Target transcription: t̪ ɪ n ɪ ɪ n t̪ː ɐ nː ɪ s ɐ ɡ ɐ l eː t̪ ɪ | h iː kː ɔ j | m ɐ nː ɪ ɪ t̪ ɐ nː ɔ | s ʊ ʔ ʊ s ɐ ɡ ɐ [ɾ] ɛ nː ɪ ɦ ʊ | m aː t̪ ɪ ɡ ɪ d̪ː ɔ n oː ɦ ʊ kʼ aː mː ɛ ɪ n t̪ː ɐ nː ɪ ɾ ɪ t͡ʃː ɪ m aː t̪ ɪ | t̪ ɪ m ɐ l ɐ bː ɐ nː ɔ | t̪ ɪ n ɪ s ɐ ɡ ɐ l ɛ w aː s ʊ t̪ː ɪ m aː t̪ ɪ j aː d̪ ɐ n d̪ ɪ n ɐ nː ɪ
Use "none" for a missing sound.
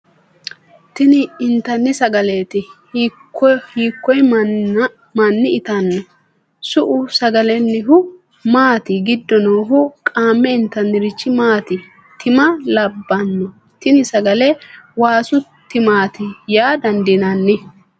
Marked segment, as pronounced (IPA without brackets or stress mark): l